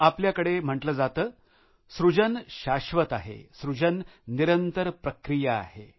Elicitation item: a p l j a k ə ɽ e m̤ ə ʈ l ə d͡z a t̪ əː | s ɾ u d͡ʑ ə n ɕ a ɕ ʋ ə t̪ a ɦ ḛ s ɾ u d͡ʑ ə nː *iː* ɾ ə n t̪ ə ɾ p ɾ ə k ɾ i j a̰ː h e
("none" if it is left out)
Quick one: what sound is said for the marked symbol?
i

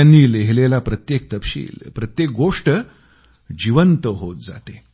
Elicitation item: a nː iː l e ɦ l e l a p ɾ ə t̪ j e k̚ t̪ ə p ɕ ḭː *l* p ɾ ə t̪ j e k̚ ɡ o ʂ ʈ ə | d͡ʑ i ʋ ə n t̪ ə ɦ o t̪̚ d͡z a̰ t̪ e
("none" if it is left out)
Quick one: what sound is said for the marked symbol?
l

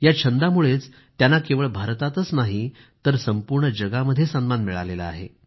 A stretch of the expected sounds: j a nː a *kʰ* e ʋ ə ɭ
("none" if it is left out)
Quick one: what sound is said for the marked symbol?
k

